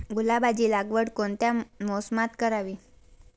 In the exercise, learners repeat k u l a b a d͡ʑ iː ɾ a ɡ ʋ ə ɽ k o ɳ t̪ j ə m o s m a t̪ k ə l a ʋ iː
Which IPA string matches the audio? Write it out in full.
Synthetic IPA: ɡ u l a b a d͡ʑ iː l a ɡ ʋ ə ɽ k o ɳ t̪ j a m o s m a t̪ k ə ɾ a ʋ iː